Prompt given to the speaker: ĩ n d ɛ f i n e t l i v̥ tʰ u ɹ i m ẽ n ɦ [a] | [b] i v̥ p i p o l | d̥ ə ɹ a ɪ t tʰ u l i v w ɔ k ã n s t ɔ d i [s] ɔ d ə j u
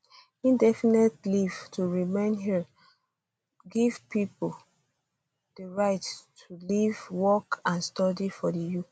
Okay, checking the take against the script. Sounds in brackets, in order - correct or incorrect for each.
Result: incorrect, incorrect, incorrect

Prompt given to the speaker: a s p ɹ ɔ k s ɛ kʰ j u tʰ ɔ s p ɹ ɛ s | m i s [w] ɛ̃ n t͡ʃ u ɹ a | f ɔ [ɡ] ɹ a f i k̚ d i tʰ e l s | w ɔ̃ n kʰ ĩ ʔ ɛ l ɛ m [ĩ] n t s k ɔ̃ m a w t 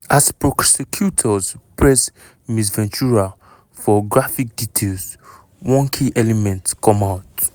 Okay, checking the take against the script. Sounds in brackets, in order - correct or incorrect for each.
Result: incorrect, correct, incorrect

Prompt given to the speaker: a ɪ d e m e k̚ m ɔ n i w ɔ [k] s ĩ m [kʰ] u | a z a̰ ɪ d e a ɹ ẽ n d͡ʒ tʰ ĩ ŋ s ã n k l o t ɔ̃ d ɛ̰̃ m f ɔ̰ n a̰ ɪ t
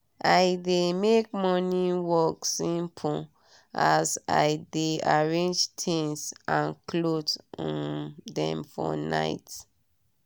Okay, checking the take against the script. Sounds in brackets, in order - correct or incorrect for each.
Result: correct, incorrect

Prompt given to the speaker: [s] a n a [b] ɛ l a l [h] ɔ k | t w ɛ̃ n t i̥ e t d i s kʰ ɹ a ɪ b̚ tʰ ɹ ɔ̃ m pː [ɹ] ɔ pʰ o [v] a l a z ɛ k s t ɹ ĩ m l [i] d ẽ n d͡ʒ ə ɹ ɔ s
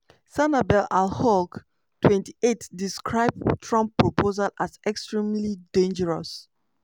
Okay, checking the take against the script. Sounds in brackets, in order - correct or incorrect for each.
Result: correct, correct, correct, correct, incorrect, correct

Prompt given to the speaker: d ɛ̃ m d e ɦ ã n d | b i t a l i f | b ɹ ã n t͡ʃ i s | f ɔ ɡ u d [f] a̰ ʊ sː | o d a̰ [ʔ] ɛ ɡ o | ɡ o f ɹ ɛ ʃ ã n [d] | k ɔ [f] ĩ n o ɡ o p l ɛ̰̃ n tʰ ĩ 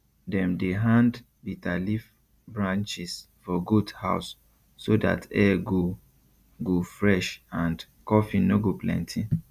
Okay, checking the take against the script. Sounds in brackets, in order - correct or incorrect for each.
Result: incorrect, incorrect, correct, correct

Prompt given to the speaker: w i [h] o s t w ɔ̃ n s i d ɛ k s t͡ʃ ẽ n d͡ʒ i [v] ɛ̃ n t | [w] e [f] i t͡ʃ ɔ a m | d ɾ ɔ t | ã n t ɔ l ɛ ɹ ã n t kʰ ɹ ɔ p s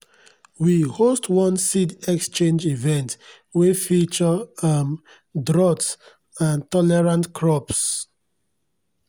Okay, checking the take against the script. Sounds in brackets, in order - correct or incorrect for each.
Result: correct, correct, correct, correct

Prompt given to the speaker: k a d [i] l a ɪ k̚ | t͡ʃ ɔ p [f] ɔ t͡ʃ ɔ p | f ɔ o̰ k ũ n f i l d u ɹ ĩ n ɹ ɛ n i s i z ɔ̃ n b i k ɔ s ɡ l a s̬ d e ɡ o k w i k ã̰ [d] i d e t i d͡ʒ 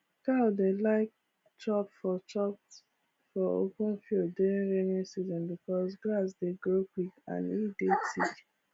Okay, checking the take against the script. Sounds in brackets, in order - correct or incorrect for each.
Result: incorrect, correct, incorrect

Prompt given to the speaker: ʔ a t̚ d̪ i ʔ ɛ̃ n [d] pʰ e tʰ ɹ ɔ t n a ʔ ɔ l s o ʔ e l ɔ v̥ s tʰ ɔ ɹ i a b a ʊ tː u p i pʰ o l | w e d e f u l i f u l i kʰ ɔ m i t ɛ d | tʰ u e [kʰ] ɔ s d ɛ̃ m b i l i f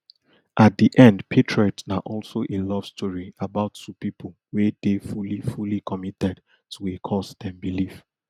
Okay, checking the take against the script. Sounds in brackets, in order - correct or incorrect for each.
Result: correct, correct

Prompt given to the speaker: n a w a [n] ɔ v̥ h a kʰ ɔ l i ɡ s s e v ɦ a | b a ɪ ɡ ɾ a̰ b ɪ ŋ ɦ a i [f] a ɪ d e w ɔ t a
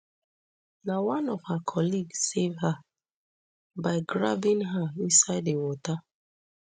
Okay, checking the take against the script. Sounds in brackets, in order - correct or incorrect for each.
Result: correct, incorrect

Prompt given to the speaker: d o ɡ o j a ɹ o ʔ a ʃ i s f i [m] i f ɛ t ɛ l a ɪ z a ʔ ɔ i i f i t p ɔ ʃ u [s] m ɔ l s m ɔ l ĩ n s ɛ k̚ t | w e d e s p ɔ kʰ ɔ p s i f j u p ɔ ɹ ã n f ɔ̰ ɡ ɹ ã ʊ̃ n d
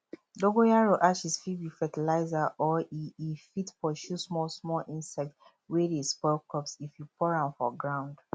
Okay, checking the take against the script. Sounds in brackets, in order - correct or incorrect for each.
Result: incorrect, correct

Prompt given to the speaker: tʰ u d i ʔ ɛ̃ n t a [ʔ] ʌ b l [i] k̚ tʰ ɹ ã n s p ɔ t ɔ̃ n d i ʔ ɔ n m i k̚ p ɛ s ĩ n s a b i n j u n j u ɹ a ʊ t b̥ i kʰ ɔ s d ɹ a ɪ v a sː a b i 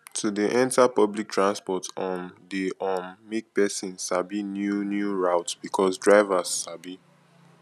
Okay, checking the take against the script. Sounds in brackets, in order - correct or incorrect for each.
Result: incorrect, correct

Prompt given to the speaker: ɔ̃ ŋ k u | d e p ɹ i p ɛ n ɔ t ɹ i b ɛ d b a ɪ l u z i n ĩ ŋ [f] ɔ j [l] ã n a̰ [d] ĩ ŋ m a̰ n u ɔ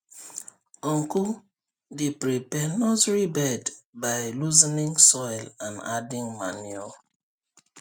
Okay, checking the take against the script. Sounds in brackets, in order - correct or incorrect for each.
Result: incorrect, correct, correct

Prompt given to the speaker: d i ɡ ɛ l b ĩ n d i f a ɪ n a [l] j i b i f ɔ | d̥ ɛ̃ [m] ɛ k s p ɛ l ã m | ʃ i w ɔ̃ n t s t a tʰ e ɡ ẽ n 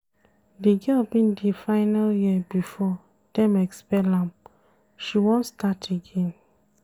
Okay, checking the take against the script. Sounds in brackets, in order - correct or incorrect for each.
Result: correct, correct

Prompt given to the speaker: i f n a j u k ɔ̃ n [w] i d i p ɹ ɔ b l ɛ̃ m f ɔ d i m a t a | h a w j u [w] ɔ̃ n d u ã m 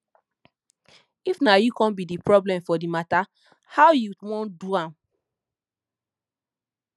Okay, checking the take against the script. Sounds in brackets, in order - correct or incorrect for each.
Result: incorrect, correct

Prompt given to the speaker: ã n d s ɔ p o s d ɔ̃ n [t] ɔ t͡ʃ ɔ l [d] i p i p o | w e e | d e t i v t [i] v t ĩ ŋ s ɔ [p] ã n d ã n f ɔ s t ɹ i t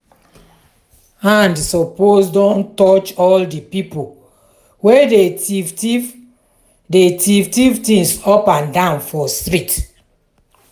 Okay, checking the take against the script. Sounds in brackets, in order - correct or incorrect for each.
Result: correct, correct, correct, correct

